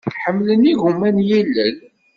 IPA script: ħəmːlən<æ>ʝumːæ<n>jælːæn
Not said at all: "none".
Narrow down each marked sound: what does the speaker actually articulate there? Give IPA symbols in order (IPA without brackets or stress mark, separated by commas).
i, n